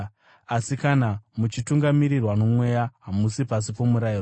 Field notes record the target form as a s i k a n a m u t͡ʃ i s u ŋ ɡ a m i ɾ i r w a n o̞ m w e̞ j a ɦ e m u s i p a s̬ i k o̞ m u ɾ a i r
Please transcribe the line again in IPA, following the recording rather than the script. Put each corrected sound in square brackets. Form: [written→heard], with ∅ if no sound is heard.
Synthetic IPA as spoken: a s i k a n a m u t͡ʃ i [s→t] u ŋ ɡ a m i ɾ i r w a n o̞ m w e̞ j a ɦ [e→a] m u s i p a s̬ i [k→p] o̞ m u ɾ a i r